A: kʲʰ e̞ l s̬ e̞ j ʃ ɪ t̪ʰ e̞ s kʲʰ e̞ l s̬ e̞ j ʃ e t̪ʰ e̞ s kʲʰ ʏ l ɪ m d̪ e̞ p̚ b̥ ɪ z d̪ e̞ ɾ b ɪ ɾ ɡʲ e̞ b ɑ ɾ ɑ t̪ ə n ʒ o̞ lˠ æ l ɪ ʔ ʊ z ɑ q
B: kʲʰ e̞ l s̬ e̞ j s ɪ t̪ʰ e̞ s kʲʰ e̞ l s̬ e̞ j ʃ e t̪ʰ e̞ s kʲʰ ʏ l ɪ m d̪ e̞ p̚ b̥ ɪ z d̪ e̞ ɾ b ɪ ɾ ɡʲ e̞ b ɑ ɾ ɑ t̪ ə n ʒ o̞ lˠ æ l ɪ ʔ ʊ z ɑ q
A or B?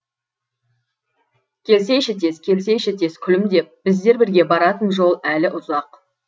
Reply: A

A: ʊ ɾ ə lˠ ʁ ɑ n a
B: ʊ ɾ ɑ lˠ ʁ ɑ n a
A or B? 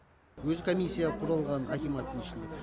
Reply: B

